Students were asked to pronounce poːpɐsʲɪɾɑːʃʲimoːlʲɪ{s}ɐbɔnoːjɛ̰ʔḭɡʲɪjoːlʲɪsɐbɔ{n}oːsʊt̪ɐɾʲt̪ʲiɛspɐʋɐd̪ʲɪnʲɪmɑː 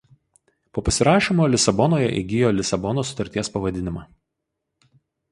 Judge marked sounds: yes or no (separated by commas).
yes, yes